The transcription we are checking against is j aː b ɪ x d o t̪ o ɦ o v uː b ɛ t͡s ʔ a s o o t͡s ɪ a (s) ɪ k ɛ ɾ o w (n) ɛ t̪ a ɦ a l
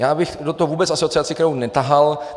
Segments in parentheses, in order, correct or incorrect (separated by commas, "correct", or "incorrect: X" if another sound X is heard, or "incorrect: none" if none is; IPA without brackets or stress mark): incorrect: t͡s, correct